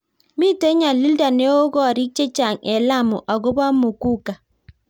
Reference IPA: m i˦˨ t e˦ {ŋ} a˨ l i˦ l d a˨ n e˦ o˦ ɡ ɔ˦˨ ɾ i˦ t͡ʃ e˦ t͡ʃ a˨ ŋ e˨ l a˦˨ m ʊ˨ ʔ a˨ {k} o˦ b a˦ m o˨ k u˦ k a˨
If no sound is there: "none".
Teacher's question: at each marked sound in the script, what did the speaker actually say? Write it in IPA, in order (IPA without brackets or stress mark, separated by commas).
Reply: ɲ, ɡ